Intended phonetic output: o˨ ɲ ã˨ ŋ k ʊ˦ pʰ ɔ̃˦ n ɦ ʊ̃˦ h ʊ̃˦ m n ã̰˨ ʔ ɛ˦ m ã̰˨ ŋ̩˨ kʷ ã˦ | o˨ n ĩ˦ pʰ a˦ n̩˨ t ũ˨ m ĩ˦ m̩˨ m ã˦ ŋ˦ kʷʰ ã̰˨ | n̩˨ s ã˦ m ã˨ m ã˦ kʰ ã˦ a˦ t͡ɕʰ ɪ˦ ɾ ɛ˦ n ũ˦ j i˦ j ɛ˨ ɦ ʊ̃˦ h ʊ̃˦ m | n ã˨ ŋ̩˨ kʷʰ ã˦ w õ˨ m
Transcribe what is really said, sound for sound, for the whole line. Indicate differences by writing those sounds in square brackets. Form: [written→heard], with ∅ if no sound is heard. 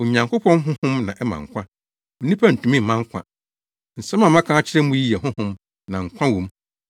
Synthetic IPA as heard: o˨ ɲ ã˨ ŋ k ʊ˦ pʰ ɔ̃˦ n ɦ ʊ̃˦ h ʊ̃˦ m n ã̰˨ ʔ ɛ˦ m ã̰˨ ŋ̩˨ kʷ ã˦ | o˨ n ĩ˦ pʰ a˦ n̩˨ t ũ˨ m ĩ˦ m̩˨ m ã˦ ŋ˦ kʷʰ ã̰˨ | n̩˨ s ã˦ m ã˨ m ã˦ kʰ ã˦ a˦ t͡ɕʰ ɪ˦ ɾ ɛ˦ [n→m] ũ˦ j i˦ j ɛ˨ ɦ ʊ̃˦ h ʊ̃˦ m | n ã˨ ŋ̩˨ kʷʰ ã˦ w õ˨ m